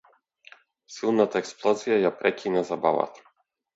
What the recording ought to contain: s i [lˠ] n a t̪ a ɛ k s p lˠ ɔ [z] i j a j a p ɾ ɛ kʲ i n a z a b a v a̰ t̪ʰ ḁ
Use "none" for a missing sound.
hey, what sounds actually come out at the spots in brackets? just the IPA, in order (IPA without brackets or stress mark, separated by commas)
lˠ, z